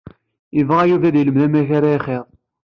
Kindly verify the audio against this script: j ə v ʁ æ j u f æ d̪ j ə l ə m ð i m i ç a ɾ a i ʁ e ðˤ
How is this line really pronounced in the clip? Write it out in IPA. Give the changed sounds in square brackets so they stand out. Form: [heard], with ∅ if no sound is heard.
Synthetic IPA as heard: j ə v ʁ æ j u [v] æ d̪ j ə l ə m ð [æ] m [æ] ç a ɾ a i [χ] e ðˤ

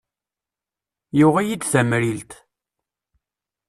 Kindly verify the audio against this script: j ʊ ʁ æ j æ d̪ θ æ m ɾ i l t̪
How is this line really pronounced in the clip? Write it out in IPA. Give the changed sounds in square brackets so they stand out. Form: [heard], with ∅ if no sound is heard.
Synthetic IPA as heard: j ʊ ʁ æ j [i] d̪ θ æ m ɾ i l t̪

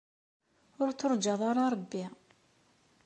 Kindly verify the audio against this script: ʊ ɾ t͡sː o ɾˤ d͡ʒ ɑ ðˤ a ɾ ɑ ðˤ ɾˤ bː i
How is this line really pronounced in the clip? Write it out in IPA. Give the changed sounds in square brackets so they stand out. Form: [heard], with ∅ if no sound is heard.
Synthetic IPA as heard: ʊ ɾ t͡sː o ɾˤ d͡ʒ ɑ ðˤ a ɾ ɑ [∅] ɾˤ bː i

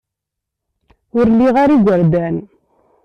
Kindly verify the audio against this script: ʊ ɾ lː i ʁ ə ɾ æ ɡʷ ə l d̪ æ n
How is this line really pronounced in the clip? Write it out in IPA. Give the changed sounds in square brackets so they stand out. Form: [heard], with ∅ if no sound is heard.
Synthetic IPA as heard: ʊ ɾ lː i ʁ [a] ɾ [i] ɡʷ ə [ɾ] d̪ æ n

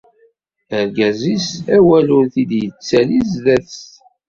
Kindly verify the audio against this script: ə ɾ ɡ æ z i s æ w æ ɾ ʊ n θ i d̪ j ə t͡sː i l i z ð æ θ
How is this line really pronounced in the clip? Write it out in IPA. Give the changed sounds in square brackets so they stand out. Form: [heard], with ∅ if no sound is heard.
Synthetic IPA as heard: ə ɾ ɡ æ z i s æ w æ [l] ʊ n θ i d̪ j ə t͡sː [æ] l i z ð æ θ

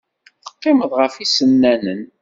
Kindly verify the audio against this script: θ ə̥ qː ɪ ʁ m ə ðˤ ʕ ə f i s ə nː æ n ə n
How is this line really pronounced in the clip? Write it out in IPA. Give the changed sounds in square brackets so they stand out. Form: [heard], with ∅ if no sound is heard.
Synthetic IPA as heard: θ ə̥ qː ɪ [∅] m ə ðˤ [ʁ] ə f i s ə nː æ n ə n

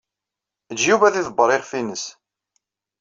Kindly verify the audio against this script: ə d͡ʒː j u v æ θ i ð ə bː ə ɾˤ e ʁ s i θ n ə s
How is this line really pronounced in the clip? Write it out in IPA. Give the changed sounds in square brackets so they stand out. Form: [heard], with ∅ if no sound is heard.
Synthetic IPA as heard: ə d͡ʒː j u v æ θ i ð ə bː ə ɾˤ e ʁ [f] i [∅] n ə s

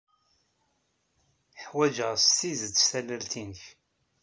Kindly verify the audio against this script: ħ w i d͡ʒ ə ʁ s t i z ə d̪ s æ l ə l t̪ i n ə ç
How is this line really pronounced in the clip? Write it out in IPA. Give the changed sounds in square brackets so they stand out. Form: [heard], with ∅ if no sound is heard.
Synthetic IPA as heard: ħ w [æ] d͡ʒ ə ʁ s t i z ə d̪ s æ l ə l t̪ i n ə ç

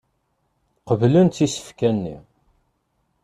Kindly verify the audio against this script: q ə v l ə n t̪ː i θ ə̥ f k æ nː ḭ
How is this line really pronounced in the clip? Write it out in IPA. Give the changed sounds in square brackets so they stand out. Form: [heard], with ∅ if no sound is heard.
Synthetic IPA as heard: q ə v l ə n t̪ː i [s] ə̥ f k æ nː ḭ

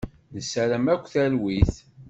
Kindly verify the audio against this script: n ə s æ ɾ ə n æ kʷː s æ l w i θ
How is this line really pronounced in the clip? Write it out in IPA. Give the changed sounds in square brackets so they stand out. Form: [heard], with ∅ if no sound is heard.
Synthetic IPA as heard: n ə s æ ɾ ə [m] æ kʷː [θ] æ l w i θ

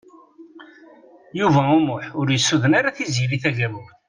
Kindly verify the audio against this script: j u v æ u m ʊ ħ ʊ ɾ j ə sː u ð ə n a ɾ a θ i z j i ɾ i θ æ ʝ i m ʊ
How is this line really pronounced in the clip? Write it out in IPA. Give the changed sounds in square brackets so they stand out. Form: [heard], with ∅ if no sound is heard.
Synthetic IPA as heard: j u v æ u m ʊ ħ ʊ ɾ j ə sː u ð ə n a ɾ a θ i z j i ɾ i θ æ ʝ [æ] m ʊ

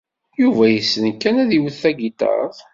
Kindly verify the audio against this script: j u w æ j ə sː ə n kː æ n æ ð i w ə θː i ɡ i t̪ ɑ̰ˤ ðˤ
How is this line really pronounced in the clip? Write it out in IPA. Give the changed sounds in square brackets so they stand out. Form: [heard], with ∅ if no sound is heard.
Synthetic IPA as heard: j u [v] æ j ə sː ə n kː æ n æ ð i w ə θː [æ] ɡ i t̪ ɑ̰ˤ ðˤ

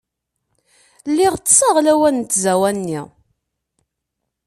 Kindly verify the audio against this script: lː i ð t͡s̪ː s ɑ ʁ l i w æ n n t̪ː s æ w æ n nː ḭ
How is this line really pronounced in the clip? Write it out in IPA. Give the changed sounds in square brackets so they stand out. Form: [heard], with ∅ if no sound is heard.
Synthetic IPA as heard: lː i [ʁ] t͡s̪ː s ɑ ʁ l [æ] w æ n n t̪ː [z] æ w æ n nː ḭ

